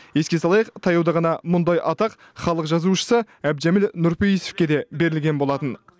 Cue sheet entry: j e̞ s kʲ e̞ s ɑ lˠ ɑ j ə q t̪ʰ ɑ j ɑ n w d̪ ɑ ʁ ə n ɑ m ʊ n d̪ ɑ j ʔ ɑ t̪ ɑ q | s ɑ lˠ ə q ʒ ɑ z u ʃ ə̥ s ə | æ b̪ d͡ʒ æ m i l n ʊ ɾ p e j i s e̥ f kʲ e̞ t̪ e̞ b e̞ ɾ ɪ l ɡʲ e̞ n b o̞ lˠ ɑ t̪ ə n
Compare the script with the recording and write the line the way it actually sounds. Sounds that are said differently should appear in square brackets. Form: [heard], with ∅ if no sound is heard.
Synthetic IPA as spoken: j e̞ s kʲ e̞ s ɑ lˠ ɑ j ə q t̪ʰ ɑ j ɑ [∅] w d̪ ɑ ʁ [ɑ] n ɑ m ʊ n d̪ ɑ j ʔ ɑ t̪ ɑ q | [χ] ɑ lˠ ə q ʒ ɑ z u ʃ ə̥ s ə | æ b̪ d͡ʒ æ m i l n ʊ ɾ p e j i s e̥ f kʲ e̞ [d̪] e̞ b e̞ ɾ ɪ l ɡʲ e̞ n b o̞ lˠ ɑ t̪ ə n